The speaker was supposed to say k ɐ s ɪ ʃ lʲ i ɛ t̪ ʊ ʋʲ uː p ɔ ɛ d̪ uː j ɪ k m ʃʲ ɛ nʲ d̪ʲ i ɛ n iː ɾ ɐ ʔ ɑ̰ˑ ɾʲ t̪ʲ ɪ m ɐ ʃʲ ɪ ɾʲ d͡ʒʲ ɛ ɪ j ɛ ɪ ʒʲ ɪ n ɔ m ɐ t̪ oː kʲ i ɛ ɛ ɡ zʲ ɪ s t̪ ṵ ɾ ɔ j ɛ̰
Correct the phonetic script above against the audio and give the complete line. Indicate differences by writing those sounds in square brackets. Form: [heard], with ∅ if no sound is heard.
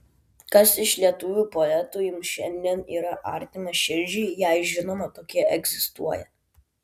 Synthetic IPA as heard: k ɐ s ɪ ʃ lʲ i ɛ t̪ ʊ ʋʲ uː p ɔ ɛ [t̪] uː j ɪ [∅] m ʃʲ ɛ nʲ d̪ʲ i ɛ n iː ɾ ɐ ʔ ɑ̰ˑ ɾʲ t̪ʲ ɪ m ɐ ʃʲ ɪ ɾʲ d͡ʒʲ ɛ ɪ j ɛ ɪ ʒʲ ɪ n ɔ m ɐ t̪ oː kʲ i ɛ ɛ ɡ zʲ ɪ s t̪ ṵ [∅] ɔ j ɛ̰